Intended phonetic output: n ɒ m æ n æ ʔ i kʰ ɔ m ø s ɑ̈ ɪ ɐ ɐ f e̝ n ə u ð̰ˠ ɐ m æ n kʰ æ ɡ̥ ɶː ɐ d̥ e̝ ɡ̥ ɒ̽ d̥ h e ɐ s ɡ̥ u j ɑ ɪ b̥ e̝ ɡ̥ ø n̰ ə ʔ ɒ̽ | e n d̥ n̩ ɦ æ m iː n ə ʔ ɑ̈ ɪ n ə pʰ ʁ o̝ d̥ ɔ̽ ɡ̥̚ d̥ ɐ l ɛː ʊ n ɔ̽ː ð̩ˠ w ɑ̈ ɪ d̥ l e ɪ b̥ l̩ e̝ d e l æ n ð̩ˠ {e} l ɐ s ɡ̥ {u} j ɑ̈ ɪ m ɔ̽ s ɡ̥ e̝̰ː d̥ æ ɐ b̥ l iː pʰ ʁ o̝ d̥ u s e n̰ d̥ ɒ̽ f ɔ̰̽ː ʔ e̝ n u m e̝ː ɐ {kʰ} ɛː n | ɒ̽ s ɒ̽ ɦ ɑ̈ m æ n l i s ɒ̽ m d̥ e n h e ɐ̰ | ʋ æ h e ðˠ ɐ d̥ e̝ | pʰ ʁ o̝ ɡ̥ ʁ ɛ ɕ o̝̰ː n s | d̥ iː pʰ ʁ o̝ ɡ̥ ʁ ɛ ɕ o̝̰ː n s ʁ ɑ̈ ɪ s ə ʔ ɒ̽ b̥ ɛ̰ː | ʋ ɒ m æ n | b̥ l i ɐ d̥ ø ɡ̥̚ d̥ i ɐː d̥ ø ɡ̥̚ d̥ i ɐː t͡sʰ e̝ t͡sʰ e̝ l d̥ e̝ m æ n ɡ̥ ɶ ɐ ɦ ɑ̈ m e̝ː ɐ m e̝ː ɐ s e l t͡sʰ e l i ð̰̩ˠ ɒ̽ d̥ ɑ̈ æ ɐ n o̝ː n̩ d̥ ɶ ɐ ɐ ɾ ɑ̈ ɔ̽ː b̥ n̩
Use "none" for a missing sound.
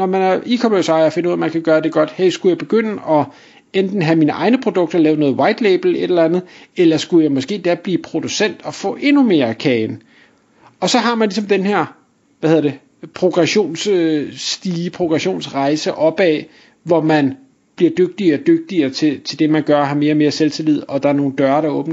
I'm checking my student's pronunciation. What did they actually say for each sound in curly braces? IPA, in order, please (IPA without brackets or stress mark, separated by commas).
e, u, kʰ